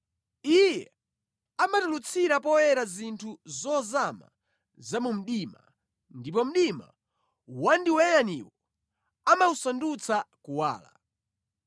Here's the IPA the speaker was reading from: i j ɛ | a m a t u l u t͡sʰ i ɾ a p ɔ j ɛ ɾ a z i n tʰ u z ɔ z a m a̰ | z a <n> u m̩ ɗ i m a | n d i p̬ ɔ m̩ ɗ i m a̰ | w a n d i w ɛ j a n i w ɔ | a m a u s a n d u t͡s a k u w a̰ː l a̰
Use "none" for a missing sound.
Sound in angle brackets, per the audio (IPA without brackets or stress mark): m